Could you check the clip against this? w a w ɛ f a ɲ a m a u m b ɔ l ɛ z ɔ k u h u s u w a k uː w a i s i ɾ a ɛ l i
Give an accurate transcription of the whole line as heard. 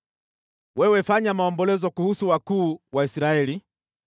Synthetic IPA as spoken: w ɛ w ɛ f a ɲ a m a ɔ m b ɔ l ɛ z ɔ k u h u s u w a k uː w a i s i ɾ a ɛ l i

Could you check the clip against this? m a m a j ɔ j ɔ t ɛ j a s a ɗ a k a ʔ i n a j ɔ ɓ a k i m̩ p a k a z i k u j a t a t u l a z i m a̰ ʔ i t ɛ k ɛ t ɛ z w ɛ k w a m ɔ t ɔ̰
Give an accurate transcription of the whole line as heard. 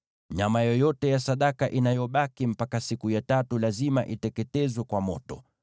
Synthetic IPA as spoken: ɲ a m a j ɔ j ɔ t ɛ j a s a ɗ a k a ʔ i n a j ɔ ɓ a k i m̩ p a k a s i k u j a t a t u l a z i m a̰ ʔ i t ɛ k ɛ t ɛ z w ɛ k w a m ɔ t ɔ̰

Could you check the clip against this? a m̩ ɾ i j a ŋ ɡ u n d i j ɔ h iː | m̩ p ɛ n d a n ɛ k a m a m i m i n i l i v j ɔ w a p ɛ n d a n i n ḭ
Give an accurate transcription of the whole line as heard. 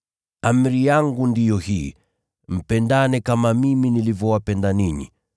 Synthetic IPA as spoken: a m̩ ɾ i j a ŋ ɡ u n d i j ɔ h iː | m̩ p ɛ n d a n ɛ k a m a m i m i n i l i v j ɔ w a p ɛ n d a n i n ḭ

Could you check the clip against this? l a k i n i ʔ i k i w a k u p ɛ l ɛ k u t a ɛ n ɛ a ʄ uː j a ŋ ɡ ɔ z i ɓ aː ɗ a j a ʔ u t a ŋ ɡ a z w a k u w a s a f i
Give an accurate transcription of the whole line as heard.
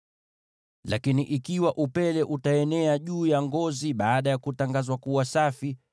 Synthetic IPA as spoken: l a k i n i ʔ i k i w a ʔ u p ɛ l ɛ ʔ u t a ɛ n ɛ a ʄ uː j a ŋ ɡ ɔ z i ɓ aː ɗ a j a k u t a ŋ ɡ a z w a k u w a s a f i

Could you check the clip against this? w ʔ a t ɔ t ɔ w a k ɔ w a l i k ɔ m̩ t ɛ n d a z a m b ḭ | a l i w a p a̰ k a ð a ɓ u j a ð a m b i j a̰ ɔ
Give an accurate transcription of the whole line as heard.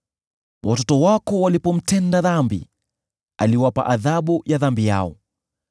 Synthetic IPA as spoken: w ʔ a t ɔ t ɔ w a k ɔ w a l i p ɔ m̩ t ɛ n d a ð a m b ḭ | a l i w a p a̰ ʔ a ð a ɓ u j a ð a m b i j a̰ ɔ

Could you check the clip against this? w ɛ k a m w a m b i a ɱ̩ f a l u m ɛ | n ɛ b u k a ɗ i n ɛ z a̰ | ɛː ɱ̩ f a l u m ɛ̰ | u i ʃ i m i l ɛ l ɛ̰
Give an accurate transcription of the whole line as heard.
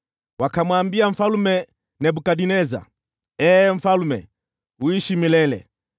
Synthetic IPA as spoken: w a k a m w a m b i a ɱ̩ f a l u m ɛ | n ɛ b u k a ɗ i n ɛ z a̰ | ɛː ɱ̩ f a l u m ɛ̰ | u i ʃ i m i l ɛ l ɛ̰

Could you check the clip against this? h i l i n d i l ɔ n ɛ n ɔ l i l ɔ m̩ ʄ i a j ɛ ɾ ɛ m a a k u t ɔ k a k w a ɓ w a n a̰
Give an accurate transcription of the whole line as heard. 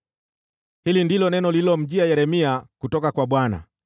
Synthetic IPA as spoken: h i l i n d i l ɔ n ɛ n ɔ l i l ɔ m̩ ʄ i a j ɛ ɾ ɛ m i a k u t ɔ k a k w a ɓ w a n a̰

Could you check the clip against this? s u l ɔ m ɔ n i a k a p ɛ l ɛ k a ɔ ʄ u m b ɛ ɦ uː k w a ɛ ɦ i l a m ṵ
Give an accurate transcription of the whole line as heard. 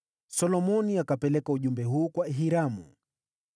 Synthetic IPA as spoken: s ɔ l ɔ m ɔ n i a k a p ɛ l ɛ k a u ʄ u m b ɛ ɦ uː k w a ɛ ɦ i ɾ a m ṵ

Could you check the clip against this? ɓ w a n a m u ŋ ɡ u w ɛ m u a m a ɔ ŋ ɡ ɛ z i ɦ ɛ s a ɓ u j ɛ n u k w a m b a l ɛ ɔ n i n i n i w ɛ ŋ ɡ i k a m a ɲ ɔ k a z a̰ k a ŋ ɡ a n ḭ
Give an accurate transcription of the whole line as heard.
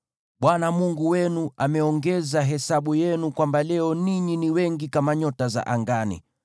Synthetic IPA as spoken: ɓ w a n a m u ŋ ɡ u w ɛ n u a m ɛ ɔ ŋ ɡ ɛ z a ɦ ɛ s a ɓ u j ɛ n u k w a m b a l ɛ ɔ n i ɲ i n i w ɛ ŋ ɡ i k a m a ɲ ɔ t a z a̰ ʔ a ŋ ɡ a n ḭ

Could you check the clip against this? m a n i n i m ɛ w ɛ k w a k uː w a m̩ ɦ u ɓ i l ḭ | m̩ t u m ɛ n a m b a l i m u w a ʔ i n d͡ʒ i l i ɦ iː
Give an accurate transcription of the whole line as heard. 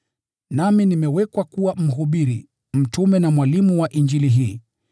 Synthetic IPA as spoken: n a m i n i m ɛ w ɛ k w a k u w a m̩ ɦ u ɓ i ɾ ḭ | m̩ t u m ɛ n a m w a l i m u w a ʔ i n d͡ʒ i l i ɦ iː

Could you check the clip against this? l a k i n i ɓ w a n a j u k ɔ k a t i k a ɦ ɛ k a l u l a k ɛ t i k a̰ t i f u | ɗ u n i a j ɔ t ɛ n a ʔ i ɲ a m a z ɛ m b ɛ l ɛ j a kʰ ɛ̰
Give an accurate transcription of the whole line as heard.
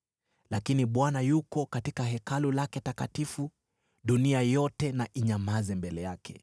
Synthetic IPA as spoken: l a k i n i ɓ w a n a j u k ɔ k a t i k a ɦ ɛ k a l u l a k ɛ t a k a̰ t i f u | ɗ u n i a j ɔ t ɛ n a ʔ i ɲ a m a z ɛ m b ɛ l ɛ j a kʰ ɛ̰

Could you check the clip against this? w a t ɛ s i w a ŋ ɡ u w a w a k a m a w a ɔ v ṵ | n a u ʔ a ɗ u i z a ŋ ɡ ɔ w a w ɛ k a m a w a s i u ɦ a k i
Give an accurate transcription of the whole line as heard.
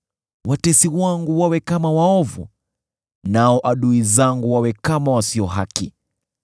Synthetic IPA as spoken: w a t ɛ s i w a ŋ ɡ u w a w ɛ k a m a w a ɔ v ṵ | n a ɔ ʔ a ɗ u i z a ŋ ɡ u w a w ɛ k a m a w a s i ɔ ɦ a k i

